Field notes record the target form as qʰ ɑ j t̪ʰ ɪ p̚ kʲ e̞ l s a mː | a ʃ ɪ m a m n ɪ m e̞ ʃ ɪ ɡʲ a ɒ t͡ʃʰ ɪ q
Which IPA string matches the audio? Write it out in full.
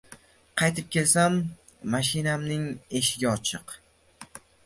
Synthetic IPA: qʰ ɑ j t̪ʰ ɪ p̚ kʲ e̞ l s a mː | a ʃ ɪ n a m n ɪ ŋ e̞ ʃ ɪ ɡʲ a ɒ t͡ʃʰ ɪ q

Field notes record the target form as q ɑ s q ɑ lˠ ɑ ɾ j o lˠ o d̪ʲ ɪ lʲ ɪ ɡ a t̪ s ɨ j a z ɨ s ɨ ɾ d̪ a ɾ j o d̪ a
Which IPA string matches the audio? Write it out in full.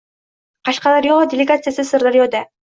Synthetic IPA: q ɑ ʃ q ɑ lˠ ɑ ɾ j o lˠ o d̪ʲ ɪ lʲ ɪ ɡ a t̪ s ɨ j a s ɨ s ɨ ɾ d̪ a ɾ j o d̪ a

